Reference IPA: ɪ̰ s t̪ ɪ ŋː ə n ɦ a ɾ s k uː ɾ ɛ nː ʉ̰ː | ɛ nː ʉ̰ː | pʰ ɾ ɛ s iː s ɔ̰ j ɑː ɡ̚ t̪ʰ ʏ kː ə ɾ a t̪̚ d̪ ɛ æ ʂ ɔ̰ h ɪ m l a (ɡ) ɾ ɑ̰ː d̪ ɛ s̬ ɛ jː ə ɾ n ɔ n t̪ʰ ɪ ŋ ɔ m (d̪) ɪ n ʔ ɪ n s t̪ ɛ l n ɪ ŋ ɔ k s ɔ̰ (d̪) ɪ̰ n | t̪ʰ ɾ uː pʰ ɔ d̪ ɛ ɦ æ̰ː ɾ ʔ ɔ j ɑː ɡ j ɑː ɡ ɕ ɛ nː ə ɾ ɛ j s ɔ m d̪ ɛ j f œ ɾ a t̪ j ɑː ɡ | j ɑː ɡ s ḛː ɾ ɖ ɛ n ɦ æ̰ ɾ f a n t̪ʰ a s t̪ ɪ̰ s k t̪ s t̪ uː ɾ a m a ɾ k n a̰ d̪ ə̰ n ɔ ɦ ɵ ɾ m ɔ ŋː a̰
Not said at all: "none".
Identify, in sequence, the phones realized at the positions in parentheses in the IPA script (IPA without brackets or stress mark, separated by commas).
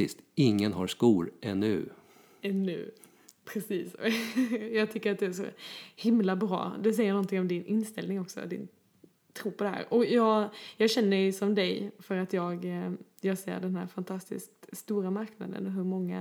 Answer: b, d̪, d̪